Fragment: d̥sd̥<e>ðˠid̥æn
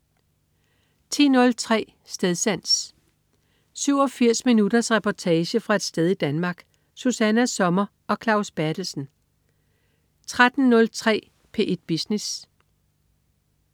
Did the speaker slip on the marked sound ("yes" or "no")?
no